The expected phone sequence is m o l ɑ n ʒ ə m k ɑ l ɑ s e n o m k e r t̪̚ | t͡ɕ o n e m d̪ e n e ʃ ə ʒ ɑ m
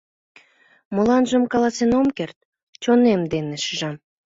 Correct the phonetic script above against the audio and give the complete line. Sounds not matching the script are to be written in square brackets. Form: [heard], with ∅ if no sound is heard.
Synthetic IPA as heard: m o l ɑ n ʒ ə m k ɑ l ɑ s e n o m k e r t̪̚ | t͡ɕ o n e m d̪ e n e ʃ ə ʒ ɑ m